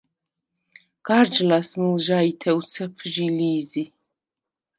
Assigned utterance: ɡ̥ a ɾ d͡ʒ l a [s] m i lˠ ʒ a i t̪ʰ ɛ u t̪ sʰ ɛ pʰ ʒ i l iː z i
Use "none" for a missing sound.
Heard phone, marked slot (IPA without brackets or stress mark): s